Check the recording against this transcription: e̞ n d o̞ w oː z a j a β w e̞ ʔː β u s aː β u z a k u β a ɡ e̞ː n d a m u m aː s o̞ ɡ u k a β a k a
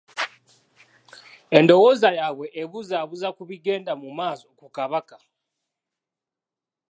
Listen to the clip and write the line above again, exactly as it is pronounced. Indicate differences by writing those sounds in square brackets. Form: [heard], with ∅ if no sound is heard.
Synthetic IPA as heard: e̞ n d o̞ w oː z a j a β w e̞ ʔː β u [z] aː β u z a k u β [i] ɡ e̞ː n d a m u m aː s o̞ [k] u k a β a k a